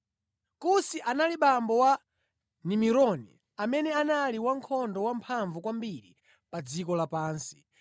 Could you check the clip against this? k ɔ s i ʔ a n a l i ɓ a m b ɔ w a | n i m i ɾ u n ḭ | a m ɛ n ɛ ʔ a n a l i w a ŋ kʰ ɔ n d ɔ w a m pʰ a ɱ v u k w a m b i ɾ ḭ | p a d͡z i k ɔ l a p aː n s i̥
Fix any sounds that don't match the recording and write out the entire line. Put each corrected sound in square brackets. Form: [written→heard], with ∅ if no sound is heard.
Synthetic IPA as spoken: k [ɔ→u] s i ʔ a n a l i ɓ a m b ɔ w a | n i m i ɾ [u→ɔ] n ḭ | a m ɛ n ɛ [ʔ→∅] a n a l i w a ŋ kʰ ɔ n d ɔ w a m pʰ a ɱ v u k w a m b i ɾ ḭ | p a d͡z i k ɔ l a p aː n s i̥